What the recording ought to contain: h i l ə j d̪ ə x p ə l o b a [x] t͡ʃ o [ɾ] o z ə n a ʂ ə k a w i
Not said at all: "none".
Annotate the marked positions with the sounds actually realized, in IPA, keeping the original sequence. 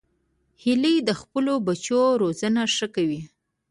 none, ɾ

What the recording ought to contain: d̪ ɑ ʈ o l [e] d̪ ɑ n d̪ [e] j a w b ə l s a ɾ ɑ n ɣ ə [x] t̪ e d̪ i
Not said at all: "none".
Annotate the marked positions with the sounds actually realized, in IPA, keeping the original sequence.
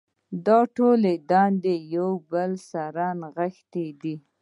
e, e, x

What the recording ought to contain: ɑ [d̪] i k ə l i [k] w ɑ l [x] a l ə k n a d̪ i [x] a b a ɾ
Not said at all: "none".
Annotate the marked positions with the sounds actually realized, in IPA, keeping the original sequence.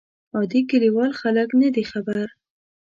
d̪, none, x, x

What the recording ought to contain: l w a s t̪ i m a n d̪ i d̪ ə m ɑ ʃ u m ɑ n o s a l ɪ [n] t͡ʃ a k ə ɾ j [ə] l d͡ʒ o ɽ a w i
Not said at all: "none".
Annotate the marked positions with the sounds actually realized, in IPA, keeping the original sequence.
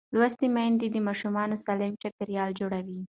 m, ɑ

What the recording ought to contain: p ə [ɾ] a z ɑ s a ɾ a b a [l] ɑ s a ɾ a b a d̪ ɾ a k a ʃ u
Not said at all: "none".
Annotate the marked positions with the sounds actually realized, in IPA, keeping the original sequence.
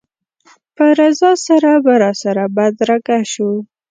ɾ, ɾ

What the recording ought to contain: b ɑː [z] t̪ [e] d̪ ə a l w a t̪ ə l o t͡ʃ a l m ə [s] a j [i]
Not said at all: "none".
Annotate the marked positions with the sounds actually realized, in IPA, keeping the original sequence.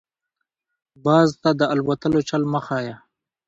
z, a, x, a

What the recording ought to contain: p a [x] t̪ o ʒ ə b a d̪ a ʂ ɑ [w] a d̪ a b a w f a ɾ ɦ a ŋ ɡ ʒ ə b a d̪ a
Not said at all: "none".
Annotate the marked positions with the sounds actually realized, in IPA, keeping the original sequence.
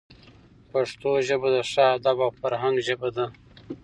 ʂ, none

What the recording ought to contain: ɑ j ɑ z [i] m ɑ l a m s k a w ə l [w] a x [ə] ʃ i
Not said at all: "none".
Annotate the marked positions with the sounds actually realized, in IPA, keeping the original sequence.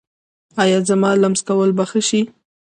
a, b, ə

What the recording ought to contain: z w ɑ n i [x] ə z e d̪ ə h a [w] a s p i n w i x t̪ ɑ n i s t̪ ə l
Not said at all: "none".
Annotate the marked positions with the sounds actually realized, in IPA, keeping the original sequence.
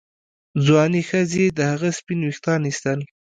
x, ɣ

